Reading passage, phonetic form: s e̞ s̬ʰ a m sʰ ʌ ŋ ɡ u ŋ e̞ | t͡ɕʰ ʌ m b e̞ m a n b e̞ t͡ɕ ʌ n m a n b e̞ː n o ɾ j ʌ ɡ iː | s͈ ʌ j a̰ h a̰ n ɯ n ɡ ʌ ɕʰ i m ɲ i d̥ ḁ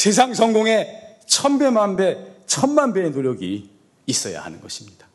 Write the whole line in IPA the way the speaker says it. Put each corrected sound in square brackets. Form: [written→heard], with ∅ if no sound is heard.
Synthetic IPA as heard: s e̞ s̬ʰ a [m→ŋ] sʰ ʌ ŋ ɡ [u→o] ŋ e̞ | t͡ɕʰ ʌ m b e̞ m a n b e̞ [t͡ɕ→t͡ɕʰ] ʌ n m a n b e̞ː n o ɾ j ʌ ɡ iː | s͈ ʌ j a̰ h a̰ n ɯ n ɡ ʌ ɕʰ i m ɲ i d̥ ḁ